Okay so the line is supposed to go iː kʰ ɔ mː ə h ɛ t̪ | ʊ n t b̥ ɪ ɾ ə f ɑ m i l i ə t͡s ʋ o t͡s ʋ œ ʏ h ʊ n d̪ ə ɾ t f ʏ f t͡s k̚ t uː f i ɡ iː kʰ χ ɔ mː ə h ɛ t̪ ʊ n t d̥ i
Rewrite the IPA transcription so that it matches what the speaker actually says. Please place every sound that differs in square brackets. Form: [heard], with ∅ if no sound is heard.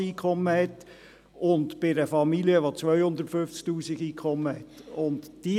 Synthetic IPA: iː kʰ ɔ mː ə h ɛ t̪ | ʊ n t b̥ ɪ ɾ ə f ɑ m i l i ə [∅] ʋ o t͡s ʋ œ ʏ h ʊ n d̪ ə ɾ t f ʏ f t͡s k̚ t uː [s] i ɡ iː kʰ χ ɔ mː ə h ɛ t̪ ʊ n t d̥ i